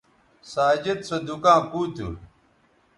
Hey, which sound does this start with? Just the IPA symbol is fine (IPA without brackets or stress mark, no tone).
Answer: s